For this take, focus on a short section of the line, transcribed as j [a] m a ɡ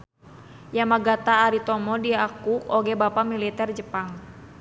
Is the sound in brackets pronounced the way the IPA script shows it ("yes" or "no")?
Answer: yes